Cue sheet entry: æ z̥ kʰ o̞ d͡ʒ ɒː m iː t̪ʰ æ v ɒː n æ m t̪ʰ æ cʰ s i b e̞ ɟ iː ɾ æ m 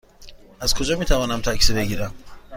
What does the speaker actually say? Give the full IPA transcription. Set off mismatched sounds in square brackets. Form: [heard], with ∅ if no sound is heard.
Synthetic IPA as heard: æ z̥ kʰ o̞ d͡ʒ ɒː m iː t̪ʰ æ v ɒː n æ m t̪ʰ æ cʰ s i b e̞ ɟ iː ɾ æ m